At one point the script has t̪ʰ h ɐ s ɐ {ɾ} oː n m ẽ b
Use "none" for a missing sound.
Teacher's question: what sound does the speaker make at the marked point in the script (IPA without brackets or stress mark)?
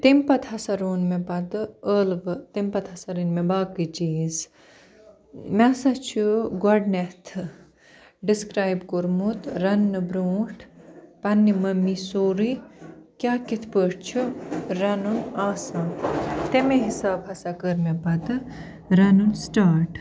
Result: ɾ